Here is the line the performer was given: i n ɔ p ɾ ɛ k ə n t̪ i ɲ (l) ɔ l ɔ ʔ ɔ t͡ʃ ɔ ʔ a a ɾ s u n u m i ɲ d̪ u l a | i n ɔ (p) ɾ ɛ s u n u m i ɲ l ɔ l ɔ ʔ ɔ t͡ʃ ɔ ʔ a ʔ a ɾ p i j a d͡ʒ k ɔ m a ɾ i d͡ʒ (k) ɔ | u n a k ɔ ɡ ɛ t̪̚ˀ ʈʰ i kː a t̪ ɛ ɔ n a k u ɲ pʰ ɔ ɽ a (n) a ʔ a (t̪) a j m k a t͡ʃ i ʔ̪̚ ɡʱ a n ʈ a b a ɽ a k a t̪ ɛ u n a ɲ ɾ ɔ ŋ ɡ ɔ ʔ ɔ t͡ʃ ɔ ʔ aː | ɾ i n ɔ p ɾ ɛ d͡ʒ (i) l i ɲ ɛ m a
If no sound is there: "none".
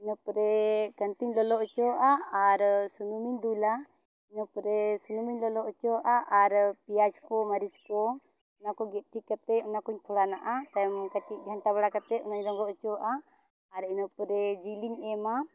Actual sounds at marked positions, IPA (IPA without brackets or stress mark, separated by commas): l, p, k, n, t̪, i